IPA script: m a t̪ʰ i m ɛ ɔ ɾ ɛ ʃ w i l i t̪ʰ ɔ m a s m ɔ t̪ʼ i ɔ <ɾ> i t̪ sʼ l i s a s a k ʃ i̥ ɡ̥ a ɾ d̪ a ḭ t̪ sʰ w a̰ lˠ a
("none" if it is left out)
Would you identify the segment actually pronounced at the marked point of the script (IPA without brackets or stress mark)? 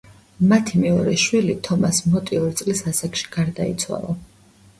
ɾ